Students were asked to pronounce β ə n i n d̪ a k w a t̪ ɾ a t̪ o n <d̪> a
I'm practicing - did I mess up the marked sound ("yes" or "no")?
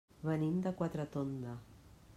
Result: no